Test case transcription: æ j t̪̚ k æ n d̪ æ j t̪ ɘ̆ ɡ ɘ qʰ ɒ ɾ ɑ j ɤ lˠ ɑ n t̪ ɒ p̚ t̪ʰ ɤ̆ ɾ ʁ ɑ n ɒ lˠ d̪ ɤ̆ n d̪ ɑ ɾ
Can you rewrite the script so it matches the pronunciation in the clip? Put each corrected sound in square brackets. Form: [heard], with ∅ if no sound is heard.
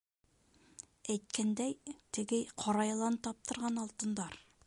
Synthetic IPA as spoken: æ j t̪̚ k æ n d̪ æ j t̪ ɘ̆ ɡ ɘ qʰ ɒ ɾ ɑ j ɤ lˠ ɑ n t̪ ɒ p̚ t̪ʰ ɤ̆ ɾ ʁ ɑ n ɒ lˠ [t̪] ɤ̆ n d̪ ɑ ɾ